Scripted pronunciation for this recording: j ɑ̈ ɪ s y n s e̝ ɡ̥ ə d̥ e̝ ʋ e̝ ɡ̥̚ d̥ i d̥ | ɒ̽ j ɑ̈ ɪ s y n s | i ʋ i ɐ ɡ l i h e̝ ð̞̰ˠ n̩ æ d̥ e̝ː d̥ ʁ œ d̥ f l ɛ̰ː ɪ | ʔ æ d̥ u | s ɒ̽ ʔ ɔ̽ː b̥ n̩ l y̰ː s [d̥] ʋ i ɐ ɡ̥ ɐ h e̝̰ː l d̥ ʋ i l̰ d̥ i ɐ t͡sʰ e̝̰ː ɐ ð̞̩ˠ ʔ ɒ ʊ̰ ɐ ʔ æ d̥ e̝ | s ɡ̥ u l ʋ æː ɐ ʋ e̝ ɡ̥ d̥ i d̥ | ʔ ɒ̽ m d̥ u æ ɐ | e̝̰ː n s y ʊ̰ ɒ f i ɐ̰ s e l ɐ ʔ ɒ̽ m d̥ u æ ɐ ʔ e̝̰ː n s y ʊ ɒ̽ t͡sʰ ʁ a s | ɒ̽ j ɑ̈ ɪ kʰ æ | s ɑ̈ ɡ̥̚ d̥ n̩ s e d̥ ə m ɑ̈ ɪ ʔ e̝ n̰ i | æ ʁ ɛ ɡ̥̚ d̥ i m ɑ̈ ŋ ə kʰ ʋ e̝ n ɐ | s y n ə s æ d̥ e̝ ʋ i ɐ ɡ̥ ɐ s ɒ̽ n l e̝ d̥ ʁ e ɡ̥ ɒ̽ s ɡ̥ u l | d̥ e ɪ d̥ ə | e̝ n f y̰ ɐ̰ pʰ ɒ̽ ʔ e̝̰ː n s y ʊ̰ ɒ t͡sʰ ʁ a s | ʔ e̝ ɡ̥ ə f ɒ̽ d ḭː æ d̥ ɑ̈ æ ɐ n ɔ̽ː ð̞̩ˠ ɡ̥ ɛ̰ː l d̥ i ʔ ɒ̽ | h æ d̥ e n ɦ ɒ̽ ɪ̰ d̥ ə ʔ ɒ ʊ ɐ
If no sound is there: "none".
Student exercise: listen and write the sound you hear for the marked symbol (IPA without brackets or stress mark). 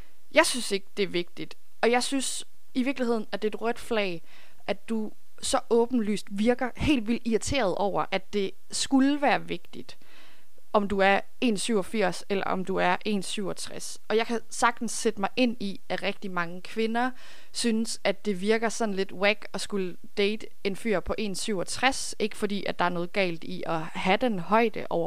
d̥